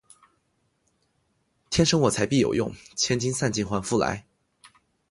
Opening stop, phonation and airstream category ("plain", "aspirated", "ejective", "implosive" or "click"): aspirated